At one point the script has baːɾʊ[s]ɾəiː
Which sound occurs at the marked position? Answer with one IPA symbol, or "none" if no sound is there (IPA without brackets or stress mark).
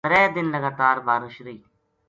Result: ʃ